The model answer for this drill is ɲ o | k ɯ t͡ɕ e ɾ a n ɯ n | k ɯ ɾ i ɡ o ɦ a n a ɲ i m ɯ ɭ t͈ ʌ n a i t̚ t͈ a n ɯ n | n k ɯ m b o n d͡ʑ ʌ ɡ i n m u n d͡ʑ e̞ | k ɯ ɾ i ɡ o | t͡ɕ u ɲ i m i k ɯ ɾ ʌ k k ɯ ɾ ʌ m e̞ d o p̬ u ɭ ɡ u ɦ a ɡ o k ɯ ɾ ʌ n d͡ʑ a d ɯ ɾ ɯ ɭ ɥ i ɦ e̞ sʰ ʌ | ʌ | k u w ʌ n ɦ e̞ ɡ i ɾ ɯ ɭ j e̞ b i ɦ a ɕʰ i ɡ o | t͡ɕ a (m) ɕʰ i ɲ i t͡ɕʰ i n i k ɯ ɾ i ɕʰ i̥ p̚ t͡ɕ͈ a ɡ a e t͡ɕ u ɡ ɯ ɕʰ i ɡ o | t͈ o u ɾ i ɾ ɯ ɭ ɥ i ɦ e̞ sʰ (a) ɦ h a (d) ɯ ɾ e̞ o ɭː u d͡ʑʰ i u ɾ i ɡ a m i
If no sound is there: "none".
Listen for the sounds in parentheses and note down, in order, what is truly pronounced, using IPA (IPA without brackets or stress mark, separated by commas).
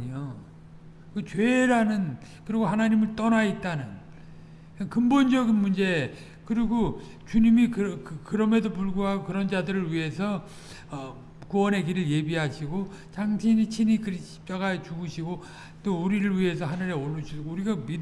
ŋ, ʌ, n